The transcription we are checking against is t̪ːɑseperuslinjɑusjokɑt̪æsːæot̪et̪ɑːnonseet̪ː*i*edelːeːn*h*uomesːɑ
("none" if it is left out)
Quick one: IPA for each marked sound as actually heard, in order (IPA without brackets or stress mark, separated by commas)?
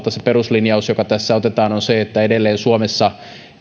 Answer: æ, s